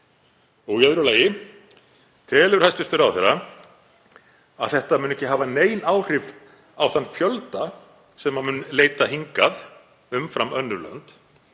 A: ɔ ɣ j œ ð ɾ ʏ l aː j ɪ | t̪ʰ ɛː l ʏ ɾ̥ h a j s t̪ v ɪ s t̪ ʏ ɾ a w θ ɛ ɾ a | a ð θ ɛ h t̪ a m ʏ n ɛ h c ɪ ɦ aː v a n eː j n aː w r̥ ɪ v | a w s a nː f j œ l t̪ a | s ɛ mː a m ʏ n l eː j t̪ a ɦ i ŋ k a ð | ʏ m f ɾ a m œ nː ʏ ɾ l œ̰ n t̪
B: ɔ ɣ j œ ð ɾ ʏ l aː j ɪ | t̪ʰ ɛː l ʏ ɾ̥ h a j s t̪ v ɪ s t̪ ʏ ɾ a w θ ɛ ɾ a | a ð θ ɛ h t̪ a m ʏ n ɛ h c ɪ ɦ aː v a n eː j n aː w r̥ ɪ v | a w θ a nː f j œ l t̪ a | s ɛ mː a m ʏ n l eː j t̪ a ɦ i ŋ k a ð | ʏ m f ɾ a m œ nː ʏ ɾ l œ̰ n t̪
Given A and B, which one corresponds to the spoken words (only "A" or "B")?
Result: B